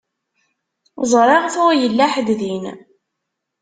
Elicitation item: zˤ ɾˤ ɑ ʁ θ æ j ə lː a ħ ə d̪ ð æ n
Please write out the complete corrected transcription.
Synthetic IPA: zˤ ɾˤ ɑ ʁ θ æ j ə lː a ħ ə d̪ ð i n